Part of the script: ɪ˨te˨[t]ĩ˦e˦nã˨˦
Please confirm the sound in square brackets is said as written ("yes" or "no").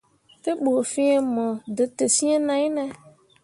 no